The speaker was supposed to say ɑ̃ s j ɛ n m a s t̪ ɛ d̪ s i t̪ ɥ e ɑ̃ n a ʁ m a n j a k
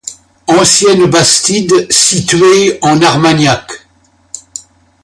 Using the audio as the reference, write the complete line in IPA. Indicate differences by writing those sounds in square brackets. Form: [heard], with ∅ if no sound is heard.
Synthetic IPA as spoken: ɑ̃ s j ɛ n [b] a s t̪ [i] d̪ s i t̪ ɥ e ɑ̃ n a ʁ m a n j a k